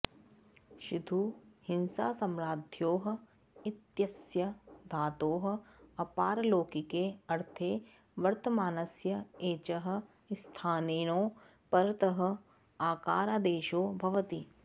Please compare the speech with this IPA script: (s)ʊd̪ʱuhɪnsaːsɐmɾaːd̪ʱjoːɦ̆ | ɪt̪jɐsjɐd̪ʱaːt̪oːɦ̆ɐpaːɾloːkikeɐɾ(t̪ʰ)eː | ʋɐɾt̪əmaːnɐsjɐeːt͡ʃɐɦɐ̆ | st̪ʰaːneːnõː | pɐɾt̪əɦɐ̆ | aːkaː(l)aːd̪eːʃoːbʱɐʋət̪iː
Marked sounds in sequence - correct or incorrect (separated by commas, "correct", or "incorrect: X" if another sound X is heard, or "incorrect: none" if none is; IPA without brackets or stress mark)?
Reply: incorrect: ʃ, correct, incorrect: ɾ